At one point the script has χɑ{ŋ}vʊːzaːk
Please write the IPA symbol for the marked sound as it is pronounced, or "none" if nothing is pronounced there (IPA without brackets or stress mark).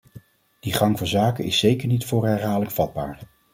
ŋ